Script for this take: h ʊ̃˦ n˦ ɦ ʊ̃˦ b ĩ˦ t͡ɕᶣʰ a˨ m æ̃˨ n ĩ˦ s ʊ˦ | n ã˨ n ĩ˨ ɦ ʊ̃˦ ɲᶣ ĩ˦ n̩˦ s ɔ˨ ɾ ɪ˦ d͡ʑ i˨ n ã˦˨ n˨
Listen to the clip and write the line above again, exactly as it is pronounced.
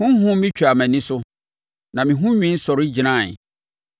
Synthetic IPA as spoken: h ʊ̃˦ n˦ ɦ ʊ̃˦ m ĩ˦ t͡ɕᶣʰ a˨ m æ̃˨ n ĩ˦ s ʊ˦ | n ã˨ m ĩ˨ ɦ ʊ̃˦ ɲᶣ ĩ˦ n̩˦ s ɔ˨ ɾ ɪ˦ d͡ʑ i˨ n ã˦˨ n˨